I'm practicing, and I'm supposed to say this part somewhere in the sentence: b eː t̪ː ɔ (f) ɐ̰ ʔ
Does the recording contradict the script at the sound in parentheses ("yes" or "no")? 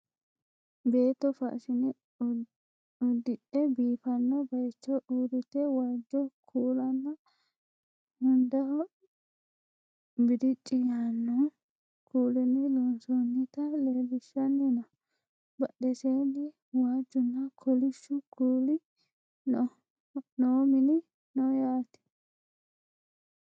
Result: no